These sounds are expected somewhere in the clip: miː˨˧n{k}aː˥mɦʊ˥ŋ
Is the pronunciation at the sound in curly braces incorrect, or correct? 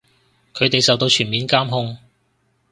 correct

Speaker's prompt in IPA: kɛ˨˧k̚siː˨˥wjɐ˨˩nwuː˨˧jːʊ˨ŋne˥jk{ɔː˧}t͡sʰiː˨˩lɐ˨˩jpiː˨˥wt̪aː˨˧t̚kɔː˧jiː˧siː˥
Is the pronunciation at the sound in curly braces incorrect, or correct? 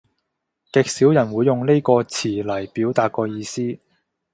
correct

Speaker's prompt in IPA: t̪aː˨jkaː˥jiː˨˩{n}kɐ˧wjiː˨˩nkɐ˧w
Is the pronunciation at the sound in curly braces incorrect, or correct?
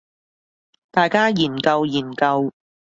correct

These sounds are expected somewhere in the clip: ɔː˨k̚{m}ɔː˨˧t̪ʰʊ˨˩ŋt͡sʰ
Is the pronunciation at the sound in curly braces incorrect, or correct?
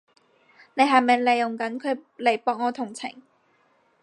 incorrect: ŋ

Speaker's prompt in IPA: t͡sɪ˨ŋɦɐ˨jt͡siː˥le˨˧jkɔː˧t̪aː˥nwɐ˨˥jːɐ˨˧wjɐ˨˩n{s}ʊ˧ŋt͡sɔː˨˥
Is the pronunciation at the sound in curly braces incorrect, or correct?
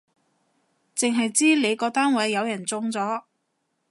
incorrect: t͡s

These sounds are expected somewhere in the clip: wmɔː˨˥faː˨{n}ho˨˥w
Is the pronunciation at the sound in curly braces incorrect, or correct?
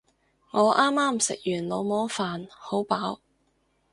correct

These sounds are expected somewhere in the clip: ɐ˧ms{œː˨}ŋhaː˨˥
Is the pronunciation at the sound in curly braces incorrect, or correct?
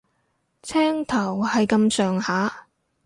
correct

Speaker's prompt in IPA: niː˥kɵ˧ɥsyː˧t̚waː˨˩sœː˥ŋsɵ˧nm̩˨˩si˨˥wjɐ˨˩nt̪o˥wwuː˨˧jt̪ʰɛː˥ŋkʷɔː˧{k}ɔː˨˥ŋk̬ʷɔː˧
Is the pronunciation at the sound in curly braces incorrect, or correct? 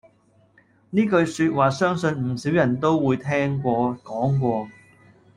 correct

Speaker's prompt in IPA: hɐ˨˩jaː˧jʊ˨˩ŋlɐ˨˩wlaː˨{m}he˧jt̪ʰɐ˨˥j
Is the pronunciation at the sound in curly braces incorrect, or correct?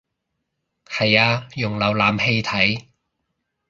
correct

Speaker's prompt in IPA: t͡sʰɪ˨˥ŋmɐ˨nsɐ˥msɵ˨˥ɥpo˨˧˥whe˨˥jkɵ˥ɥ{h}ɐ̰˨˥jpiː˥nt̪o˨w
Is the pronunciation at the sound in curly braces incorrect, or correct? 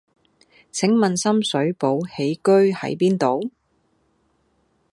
correct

